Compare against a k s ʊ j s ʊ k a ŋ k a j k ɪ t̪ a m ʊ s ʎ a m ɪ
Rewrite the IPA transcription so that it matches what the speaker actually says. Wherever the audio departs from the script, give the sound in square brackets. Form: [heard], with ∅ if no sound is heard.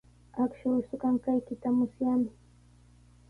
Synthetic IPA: a k [ʃ] ʊ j s ʊ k a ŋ k a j k ɪ t̪ a m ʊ s [j] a m ɪ